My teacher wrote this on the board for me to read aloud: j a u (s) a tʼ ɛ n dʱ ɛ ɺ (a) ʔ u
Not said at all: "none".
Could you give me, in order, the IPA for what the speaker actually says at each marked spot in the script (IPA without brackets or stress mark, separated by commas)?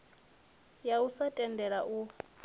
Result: s, a